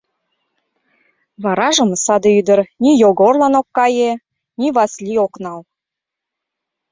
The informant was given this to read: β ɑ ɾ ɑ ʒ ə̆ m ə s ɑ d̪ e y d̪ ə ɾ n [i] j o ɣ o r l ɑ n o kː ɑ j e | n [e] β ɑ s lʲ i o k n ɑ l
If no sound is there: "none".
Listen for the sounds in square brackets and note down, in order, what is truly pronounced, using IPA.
i, i

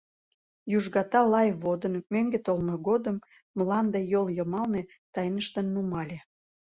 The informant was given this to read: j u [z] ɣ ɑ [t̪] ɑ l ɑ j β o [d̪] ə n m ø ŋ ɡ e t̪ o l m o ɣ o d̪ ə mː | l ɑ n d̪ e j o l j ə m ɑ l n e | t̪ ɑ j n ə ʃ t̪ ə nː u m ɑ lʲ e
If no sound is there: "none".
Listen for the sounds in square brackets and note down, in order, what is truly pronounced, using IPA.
ʒ, t̪, d̪

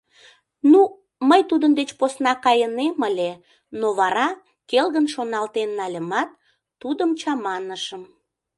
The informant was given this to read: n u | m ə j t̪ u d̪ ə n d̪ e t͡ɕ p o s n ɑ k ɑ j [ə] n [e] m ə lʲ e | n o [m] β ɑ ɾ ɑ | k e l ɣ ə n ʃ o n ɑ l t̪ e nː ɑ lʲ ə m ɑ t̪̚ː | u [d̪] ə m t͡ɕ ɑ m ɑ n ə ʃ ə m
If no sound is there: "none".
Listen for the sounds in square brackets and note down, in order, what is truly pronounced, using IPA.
ə, e, none, d̪

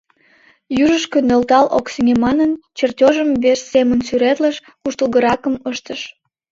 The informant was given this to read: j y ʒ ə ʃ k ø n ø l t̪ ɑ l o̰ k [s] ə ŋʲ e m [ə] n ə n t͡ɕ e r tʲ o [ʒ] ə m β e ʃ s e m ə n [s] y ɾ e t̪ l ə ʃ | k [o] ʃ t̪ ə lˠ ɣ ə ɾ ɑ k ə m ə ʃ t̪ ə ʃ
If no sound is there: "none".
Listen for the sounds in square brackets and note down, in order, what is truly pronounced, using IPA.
s, ɑ, ʒ, s, u

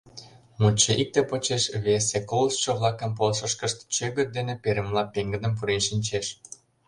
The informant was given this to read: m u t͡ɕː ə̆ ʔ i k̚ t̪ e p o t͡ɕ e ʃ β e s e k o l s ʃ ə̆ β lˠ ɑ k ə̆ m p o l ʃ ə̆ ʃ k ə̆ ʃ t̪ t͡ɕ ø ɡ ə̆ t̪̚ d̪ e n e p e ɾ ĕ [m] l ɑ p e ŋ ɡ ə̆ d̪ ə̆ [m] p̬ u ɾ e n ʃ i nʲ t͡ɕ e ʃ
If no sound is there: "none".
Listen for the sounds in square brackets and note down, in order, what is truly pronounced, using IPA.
m, m

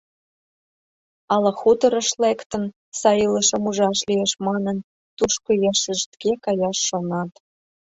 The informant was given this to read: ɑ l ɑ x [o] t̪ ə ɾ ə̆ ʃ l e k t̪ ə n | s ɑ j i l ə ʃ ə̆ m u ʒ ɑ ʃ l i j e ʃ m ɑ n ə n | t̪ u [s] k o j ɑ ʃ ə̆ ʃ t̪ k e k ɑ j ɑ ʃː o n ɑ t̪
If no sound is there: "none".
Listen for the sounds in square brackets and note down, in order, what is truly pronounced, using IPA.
u, ʃ

